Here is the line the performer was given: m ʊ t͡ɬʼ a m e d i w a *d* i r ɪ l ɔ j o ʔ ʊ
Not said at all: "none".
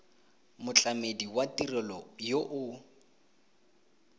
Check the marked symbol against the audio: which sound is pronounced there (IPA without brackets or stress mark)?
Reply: t